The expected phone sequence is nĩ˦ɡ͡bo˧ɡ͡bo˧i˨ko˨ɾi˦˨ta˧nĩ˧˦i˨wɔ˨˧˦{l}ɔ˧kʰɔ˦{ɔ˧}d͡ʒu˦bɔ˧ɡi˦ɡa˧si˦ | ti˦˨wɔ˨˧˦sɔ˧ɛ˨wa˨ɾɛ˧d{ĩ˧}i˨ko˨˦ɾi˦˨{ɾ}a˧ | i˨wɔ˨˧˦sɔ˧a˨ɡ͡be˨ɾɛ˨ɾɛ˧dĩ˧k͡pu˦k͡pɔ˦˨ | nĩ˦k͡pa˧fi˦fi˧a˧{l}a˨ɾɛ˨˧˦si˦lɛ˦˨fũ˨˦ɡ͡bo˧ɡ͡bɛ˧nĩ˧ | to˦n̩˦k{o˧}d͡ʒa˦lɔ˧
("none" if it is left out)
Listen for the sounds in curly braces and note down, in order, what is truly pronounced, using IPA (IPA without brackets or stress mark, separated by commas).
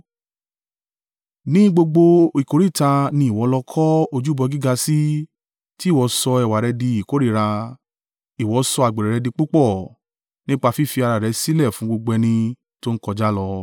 l, o˧, i˧, ɾ, ɾ, ɔ˧